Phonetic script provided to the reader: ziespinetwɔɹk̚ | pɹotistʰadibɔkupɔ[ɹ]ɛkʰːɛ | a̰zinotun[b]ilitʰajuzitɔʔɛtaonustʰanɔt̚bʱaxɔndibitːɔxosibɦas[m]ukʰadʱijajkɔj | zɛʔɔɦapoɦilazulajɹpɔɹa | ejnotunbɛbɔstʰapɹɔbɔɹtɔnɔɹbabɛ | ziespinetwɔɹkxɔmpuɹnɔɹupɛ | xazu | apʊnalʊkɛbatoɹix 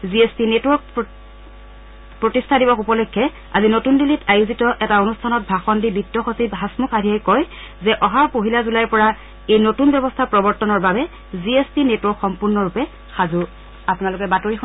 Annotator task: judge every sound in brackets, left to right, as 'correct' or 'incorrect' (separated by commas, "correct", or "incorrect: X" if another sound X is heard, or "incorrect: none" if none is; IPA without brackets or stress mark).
incorrect: l, incorrect: d, correct